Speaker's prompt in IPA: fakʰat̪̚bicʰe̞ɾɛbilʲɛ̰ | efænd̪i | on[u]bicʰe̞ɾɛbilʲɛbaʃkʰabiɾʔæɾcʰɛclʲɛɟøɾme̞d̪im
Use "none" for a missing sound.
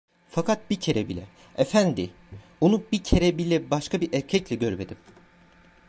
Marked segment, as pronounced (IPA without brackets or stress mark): u